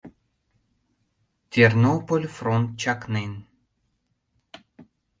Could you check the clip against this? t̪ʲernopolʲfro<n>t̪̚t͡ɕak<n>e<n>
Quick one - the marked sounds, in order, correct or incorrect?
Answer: correct, correct, correct

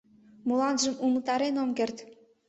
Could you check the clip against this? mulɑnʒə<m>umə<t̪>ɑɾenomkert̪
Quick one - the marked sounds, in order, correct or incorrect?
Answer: correct, correct

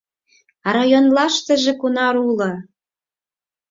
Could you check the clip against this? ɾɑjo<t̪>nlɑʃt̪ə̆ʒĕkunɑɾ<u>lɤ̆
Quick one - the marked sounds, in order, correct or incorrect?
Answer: incorrect, correct

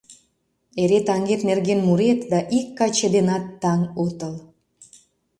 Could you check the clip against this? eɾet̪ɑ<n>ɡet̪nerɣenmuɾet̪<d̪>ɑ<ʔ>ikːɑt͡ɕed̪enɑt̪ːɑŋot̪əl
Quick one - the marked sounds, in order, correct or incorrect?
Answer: incorrect, correct, correct

